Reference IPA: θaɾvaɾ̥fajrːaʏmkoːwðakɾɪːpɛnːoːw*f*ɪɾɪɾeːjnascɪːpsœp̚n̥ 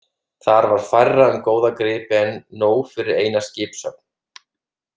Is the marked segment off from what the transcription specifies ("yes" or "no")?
no